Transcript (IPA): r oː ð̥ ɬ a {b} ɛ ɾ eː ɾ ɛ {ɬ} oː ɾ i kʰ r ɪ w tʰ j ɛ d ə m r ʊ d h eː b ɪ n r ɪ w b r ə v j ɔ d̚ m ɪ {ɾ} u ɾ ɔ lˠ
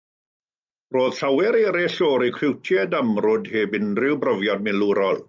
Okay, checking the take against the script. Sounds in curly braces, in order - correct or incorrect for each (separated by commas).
incorrect, correct, incorrect